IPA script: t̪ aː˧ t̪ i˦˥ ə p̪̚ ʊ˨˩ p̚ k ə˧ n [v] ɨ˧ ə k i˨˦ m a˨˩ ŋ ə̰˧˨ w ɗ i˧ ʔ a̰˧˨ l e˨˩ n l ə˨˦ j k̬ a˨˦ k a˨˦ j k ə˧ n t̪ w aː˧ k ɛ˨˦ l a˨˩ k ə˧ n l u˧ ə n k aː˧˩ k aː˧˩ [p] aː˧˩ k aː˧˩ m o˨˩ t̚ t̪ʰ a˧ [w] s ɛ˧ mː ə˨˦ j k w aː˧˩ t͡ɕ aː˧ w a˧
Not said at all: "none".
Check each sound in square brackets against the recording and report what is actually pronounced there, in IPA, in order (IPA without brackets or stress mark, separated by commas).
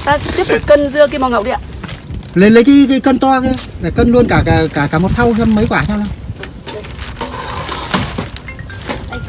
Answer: z, k, w